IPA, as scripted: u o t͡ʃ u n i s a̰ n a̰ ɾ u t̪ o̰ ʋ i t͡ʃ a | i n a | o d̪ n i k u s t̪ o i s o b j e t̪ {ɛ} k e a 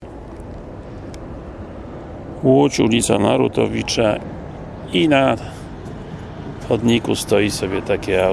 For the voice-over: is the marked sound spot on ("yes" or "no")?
no